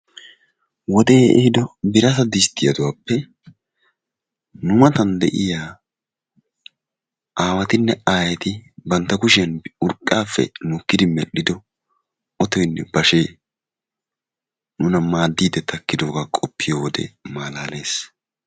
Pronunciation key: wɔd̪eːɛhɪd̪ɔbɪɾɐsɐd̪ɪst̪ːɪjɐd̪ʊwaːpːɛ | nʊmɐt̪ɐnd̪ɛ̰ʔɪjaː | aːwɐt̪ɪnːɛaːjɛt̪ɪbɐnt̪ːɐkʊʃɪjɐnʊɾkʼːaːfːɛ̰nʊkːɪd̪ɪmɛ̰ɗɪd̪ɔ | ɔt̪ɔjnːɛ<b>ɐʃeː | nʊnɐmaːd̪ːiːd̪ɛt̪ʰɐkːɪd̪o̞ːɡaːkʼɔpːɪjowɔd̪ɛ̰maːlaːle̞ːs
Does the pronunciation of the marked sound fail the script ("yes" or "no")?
no